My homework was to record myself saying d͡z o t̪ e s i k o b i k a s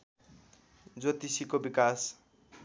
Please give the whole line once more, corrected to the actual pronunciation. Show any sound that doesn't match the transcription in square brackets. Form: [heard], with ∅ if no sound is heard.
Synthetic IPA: d͡z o t̪ [i] s i k o b i k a s

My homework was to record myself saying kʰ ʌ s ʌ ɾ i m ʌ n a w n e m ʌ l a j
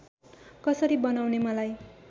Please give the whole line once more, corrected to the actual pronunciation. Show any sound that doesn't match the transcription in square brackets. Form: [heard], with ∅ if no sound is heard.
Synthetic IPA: [k] ʌ s ʌ ɾ i [b] ʌ n a w n e m ʌ l a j

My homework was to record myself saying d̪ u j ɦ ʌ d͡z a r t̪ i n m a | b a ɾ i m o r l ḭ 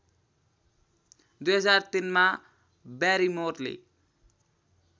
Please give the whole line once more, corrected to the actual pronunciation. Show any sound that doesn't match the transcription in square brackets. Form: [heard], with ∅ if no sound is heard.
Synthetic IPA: d̪ u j ɦ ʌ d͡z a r t̪ i n m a | b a ɾ i m o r l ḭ

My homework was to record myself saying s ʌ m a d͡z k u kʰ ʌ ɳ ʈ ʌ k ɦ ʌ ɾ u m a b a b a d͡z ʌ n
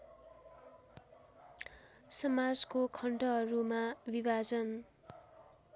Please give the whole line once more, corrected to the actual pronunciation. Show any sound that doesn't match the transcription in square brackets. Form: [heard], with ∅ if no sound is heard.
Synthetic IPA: s ʌ m a d͡z k [o] kʰ ʌ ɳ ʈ ʌ [∅] ɦ ʌ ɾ u m a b [i] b a d͡z ʌ n

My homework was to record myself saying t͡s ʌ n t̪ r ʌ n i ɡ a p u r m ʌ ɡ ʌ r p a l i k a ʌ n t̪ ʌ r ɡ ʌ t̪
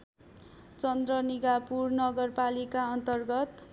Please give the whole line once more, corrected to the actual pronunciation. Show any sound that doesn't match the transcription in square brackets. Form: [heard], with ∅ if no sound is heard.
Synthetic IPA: t͡s ʌ n [d̪] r ʌ n i ɡ a p u r [n] ʌ ɡ ʌ r p a l i k a ʌ n t̪ ʌ r ɡ ʌ t̪

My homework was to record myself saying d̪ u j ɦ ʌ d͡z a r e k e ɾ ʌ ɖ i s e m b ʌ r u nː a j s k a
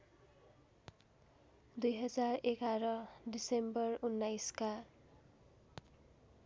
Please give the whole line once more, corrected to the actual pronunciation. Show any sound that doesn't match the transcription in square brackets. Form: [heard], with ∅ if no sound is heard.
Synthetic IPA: d̪ u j ɦ ʌ d͡z a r e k [a] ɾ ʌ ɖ i s e m b ʌ r u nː a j s k a

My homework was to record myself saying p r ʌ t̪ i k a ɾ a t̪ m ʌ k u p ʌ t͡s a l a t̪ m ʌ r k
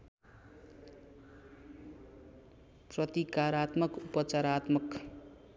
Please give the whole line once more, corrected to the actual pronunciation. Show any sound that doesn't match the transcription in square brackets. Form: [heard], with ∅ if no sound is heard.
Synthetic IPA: p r ʌ t̪ i k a ɾ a t̪ m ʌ k u p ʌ t͡s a [ɾ] a t̪ m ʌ [∅] k

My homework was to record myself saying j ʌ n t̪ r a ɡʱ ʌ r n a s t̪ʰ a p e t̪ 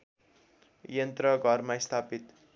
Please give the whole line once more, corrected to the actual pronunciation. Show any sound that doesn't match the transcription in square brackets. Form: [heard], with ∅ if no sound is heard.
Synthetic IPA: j ʌ n t̪ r [ʌ] ɡʱ ʌ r [m] a s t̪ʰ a p [i] t̪

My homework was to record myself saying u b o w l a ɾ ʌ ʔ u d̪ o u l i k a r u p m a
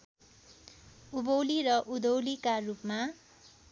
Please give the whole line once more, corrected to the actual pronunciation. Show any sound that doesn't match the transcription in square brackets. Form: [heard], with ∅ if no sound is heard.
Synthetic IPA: u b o w l [i] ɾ ʌ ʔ u d̪ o [w] l i k a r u p m a

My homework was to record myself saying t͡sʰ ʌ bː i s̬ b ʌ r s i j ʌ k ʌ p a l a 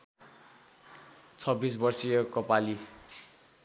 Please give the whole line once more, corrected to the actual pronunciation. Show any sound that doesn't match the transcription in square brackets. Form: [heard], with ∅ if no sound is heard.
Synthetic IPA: t͡sʰ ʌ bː i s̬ b ʌ r s i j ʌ k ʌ p a l [i]

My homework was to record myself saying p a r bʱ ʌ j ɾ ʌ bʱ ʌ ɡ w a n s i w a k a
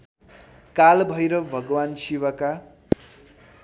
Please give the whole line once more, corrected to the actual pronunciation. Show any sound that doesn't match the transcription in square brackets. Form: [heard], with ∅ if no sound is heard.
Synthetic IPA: [k] a [l] bʱ ʌ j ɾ ʌ bʱ ʌ ɡ w a n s i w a k a

